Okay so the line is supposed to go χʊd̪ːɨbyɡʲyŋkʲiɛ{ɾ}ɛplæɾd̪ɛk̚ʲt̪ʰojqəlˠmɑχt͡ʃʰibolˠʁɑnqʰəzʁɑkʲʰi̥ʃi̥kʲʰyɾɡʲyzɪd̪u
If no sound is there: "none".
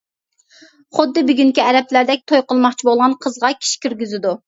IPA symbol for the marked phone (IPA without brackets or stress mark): ɾ